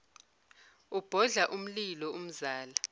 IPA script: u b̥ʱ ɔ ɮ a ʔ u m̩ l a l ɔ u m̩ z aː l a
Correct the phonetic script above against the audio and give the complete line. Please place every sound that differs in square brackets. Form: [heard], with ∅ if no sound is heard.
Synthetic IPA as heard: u b̥ʱ ɔ ɮ a ʔ u m̩ l [i] l ɔ u m̩ z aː l a